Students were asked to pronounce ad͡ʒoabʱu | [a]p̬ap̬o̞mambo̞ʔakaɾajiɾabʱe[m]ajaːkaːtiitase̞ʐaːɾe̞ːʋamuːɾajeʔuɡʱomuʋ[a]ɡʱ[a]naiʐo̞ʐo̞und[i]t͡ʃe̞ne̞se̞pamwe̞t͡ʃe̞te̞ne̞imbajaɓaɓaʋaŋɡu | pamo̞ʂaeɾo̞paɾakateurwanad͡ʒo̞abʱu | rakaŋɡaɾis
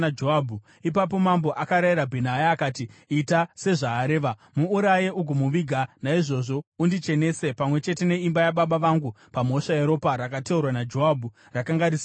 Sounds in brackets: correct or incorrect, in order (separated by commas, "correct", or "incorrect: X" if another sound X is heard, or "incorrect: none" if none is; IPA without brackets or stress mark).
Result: incorrect: i, incorrect: n, incorrect: i, correct, correct